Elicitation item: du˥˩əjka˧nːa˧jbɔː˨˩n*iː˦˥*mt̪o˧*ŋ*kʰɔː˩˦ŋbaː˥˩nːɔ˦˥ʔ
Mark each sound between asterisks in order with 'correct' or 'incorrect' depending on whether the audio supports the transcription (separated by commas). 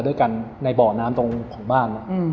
incorrect, correct